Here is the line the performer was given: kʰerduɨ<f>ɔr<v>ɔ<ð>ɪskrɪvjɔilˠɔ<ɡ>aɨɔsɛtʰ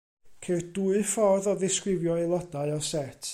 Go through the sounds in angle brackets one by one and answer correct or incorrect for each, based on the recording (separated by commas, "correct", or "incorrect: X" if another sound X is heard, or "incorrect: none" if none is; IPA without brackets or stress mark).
correct, incorrect: ð, correct, incorrect: d